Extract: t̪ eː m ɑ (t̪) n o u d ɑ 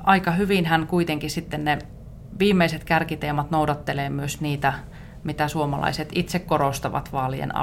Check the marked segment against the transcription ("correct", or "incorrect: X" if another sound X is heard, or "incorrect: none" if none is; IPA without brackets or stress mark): correct